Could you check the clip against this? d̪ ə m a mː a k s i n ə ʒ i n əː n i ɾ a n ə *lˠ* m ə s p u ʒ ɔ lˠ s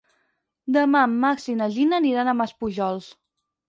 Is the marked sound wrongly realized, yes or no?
yes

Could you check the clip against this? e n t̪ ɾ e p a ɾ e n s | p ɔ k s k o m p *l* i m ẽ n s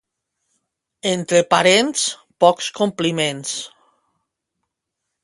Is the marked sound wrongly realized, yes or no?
no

